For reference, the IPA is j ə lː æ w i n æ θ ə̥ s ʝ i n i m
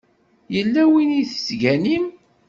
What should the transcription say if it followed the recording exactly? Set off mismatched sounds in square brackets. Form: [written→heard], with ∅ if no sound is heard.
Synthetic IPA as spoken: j ə lː æ w i n [æ→i] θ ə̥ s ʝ [i→æ] n i m